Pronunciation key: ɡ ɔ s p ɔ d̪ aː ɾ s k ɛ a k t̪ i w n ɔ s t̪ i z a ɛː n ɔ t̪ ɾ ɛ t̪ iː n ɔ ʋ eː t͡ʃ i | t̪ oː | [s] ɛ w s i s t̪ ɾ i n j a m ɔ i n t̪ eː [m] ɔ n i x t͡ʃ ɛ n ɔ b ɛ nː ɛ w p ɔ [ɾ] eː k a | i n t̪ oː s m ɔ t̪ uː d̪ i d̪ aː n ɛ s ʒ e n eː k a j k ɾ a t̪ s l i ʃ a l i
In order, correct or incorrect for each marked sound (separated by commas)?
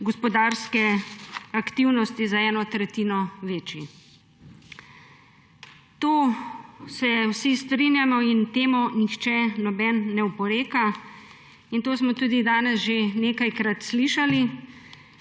correct, correct, correct